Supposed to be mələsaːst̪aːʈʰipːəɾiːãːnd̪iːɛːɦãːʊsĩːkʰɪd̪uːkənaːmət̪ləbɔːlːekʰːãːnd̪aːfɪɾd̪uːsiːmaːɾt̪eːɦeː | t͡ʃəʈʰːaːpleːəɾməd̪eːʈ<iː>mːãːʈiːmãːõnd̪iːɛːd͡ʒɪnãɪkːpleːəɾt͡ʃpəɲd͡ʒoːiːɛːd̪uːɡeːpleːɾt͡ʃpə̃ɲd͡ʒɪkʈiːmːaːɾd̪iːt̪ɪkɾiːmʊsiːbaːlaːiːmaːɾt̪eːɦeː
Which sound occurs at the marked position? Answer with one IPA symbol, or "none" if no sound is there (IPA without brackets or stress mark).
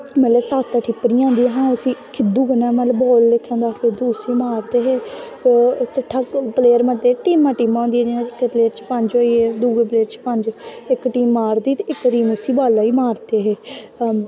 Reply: iː